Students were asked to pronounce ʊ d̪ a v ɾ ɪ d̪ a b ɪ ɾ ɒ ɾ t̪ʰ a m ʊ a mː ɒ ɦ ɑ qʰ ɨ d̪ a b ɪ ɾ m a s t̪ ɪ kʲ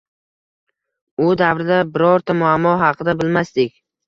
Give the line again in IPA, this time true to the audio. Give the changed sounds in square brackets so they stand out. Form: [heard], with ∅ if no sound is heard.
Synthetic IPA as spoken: ʊ d̪ a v ɾ ɪ d̪ a b ɪ ɾ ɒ ɾ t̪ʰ a m ʊ a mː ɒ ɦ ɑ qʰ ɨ d̪ a b ɪ [l] m a s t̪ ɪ kʲ